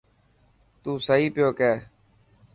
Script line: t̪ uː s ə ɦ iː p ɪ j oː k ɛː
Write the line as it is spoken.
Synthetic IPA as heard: t̪ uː s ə ɦ iː p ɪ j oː k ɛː